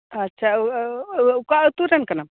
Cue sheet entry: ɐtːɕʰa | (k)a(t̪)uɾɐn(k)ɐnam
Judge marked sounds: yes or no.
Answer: yes, yes, yes

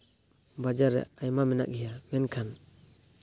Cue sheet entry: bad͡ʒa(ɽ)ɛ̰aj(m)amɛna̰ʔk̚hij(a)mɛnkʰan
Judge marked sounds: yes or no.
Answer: no, yes, yes

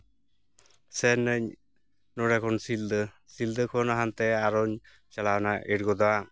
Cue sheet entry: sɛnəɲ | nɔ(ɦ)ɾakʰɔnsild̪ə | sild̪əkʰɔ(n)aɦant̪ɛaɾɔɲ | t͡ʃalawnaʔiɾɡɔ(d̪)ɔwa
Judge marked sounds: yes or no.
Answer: no, yes, yes

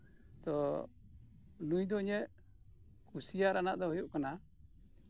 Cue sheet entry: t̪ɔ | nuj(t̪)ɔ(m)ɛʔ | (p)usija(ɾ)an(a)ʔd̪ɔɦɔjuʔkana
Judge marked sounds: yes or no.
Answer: no, no, no, yes, yes

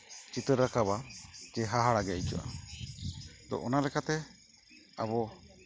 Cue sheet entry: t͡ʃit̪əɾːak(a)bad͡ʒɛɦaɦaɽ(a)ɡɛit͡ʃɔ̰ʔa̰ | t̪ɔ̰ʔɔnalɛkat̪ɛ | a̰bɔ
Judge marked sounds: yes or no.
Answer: yes, yes

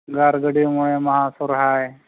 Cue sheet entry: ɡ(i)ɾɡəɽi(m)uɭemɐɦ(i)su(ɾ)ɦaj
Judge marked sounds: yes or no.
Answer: no, yes, no, yes

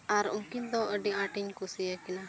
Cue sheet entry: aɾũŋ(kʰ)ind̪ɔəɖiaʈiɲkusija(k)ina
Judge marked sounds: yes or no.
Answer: no, yes

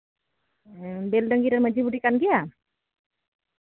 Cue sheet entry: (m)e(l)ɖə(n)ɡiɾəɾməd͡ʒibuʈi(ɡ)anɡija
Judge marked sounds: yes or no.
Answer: no, yes, no, no

